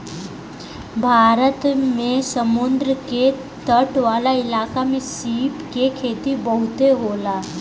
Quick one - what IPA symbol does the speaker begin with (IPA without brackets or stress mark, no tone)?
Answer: bʱ